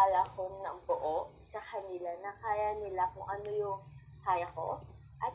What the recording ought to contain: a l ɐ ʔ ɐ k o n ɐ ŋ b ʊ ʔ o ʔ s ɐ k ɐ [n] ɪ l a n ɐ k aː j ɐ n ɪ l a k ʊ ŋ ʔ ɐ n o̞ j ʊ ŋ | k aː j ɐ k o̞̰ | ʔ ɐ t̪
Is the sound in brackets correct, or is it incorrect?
correct